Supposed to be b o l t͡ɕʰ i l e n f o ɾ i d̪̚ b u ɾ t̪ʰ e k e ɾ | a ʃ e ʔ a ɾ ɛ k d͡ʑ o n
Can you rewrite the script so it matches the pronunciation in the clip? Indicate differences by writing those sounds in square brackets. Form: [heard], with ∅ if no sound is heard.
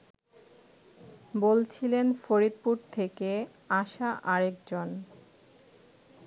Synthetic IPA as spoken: b o l t͡ɕʰ i l e n f o ɾ i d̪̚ [p] u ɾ t̪ʰ e k e [∅] | a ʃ [a] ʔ a ɾ [e] k d͡ʑ o n